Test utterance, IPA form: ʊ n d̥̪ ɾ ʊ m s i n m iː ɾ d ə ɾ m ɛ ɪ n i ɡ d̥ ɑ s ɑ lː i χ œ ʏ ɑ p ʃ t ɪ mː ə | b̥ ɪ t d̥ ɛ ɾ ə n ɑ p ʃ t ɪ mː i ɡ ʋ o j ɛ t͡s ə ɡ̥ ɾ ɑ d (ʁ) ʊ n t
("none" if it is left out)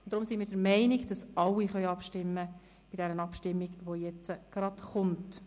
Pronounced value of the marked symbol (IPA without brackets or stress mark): χ